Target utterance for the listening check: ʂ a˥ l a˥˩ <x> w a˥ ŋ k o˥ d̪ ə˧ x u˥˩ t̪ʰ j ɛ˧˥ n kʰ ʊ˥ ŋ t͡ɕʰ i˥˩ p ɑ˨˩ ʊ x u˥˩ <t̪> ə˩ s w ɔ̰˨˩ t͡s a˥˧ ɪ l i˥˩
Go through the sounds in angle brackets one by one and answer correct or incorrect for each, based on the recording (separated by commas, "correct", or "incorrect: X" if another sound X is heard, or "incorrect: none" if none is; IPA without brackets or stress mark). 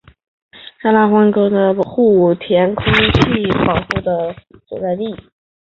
correct, incorrect: d̪